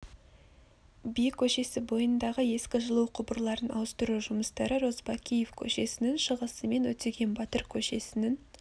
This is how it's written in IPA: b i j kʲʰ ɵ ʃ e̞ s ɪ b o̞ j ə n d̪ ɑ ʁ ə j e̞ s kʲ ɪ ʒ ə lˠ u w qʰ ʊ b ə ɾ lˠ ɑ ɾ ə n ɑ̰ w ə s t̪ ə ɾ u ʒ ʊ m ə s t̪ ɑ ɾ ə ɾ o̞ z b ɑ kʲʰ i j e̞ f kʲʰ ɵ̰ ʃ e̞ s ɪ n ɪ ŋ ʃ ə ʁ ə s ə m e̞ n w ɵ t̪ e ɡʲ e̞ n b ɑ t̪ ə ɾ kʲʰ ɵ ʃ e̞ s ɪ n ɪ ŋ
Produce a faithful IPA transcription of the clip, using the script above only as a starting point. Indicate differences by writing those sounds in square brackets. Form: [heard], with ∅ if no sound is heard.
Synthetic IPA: b i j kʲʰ ɵ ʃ e̞ s ɪ b o̞ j ə n d̪ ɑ ʁ ə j e̞ s kʲ ɪ ʒ ə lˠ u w qʰ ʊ b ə ɾ lˠ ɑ ɾ ə n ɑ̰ w ə s t̪ ə ɾ u ʒ ʊ m ə s t̪ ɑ ɾ ə ɾ o̞ z b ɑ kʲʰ i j e̞ f kʲʰ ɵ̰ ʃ e̞ s ɪ n ɪ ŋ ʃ ə ʁ ə s ə m e̞ n w ɵ t̪ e ɡʲ e̞ n b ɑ t̪ ə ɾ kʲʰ ɵ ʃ e̞ s ɪ n ɪ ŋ